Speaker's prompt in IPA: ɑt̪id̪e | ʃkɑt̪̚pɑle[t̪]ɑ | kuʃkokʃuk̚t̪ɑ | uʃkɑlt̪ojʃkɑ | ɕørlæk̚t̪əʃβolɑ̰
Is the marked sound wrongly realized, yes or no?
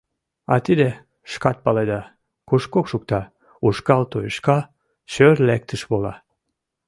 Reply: yes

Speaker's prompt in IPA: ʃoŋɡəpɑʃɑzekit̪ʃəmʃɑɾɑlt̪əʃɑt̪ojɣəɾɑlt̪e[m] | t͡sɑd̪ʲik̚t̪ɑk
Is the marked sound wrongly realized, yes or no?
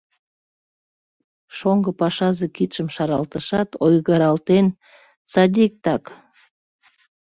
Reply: yes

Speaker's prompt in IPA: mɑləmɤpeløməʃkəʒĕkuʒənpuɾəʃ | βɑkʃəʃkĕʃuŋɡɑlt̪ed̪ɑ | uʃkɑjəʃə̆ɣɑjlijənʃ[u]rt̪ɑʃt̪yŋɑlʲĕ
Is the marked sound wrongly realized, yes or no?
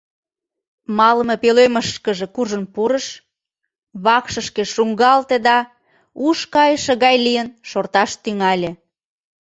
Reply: yes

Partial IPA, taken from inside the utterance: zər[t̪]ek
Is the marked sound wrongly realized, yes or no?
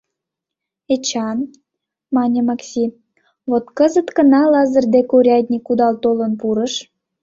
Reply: yes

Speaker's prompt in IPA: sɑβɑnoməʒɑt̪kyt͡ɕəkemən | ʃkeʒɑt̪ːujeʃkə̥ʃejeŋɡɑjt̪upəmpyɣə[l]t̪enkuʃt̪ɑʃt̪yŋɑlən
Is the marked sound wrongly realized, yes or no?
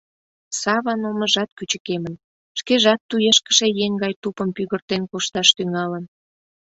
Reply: yes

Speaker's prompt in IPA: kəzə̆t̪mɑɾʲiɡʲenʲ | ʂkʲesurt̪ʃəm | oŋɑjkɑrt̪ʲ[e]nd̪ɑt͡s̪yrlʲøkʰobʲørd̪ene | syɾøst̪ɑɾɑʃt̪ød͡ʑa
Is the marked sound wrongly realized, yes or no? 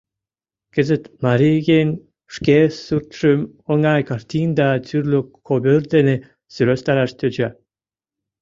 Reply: yes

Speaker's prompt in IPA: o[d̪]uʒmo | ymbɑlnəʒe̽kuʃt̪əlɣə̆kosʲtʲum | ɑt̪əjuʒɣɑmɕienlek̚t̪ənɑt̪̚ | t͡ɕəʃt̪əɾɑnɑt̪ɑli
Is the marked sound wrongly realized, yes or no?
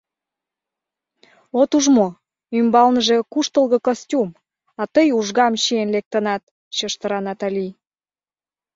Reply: yes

